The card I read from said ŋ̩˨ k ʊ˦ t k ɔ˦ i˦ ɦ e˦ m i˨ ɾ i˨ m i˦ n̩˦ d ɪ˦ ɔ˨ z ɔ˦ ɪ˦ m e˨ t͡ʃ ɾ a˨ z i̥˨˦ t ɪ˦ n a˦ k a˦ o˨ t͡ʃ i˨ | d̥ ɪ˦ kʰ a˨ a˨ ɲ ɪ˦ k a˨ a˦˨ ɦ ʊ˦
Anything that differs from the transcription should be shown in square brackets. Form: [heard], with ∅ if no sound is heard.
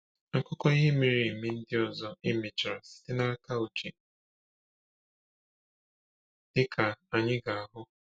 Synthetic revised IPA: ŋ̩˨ k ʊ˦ [∅] k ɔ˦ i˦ ɦ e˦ m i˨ ɾ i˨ m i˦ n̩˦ d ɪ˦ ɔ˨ z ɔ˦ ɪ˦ m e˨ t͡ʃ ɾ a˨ [s] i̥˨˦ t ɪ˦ n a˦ k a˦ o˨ t͡ʃ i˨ | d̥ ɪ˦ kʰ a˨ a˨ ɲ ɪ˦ [ɡ] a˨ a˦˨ ɦ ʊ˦